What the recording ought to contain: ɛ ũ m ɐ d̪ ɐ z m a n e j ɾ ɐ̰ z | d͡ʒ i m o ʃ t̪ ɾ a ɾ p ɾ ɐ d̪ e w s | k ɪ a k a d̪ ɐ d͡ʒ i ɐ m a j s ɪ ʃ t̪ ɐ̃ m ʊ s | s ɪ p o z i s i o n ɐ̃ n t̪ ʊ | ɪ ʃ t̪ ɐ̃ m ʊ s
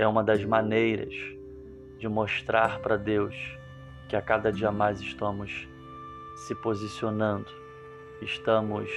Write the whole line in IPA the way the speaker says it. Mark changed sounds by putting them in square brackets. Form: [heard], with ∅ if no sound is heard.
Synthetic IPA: ɛ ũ m ɐ d̪ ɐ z m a n e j ɾ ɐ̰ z | d͡ʒ [ɪ] m o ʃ t̪ ɾ a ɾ p ɾ ɐ d̪ e w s | k ɪ a k a d̪ ɐ d͡ʒ i ɐ m a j [z] ɪ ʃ t̪ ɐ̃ m ʊ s | s ɪ p o z i s i o n ɐ̃ n [d̪] ʊ | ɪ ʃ t̪ ɐ̃ m ʊ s